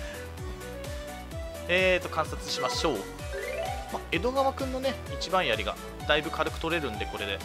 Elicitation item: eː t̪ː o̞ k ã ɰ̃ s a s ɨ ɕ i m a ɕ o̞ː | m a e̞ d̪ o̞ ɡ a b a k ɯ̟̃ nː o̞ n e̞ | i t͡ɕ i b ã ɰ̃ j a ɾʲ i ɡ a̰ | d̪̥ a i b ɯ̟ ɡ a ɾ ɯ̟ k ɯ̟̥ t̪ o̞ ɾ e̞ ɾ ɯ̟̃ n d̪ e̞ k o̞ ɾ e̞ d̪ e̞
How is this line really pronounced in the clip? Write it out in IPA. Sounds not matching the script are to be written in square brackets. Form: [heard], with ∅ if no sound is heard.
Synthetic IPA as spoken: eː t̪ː o̞ k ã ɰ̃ s a [t͡s] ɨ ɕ i m a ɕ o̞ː | m a e̞ d̪ o̞ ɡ a [β] a k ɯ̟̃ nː o̞ n e̞ | i t͡ɕ i b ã ɰ̃ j a ɾʲ i ɡ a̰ | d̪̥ a i b ɯ̟ [k] a ɾ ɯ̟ k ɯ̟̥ t̪ o̞ ɾ e̞ ɾ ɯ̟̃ n d̪ e̞ k o̞ ɾ e̞ d̪ e̞